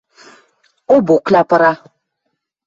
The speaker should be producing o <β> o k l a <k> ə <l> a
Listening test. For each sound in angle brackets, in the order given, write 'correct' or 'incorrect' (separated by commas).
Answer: incorrect, incorrect, incorrect